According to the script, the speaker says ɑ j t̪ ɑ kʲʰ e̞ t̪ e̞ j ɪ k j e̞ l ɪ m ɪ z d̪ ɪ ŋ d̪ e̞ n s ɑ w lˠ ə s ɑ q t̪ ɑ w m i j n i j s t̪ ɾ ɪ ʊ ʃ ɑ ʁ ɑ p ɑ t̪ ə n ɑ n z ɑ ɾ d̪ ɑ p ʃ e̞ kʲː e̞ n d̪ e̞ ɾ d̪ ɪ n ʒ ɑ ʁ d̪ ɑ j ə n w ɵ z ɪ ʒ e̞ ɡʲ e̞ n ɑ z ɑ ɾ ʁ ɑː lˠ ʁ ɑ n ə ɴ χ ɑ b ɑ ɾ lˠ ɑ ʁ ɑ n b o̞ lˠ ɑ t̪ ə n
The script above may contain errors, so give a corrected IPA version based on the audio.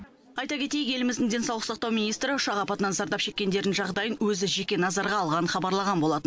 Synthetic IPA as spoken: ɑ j t̪ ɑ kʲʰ e̞ t̪ e̞ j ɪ k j e̞ l ɪ m ɪ z d̪ ɪ ŋ d̪ e̞ n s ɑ w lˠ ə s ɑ q t̪ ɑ w m i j n i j s t̪ ɾ ɪ ʊ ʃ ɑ ʁ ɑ p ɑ t̪ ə n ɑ n z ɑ ɾ d̪ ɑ p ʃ e̞ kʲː e̞ n d̪ e̞ ɾ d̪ ɪ n ʒ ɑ ʁ d̪ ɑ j ə n w ɵ z ɪ ʒ e̞ kʲ e̞ n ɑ z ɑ ɾ ʁ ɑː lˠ ʁ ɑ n ə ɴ χ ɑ b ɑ ɾ lˠ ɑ ʁ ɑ n b o̞ lˠ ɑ t̪ ə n